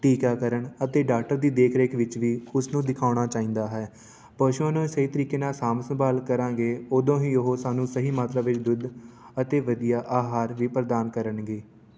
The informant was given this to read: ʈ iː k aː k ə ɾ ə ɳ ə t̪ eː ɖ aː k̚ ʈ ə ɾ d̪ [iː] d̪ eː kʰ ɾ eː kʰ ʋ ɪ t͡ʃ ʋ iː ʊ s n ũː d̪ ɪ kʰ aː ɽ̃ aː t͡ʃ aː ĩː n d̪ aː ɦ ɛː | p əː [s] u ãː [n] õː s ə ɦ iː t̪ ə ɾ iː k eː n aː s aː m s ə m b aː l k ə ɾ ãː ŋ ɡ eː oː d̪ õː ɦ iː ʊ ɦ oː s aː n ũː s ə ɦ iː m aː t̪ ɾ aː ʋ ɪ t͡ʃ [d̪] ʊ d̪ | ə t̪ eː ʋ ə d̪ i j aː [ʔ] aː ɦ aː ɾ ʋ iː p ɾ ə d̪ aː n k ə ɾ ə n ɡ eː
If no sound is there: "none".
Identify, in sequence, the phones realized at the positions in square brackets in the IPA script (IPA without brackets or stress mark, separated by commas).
iː, ʃ, n, d̪, ʔ